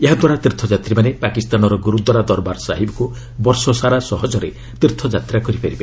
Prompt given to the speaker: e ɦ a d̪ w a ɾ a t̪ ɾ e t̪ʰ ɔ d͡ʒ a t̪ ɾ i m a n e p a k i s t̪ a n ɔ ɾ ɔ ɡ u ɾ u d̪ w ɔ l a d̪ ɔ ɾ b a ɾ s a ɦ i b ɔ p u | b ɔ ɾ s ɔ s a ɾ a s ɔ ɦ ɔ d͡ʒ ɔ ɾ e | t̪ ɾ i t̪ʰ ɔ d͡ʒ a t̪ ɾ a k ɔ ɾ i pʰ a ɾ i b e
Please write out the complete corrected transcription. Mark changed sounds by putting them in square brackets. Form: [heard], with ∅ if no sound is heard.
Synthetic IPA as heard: e ɦ a d̪ w a ɾ a t̪ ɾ [i] t̪ʰ ɔ d͡ʒ a t̪ ɾ i m a n e p a k i s t̪ a n ɔ ɾ ɔ ɡ u ɾ u d̪ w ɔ [ɾ] a d̪ ɔ ɾ b a ɾ s a ɦ i b ɔ [k] u | b ɔ ɾ s ɔ s a ɾ a s ɔ ɦ ɔ d͡ʒ ɔ ɾ e | t̪ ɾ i t̪ʰ ɔ d͡ʒ a t̪ ɾ a k ɔ ɾ i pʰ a ɾ i b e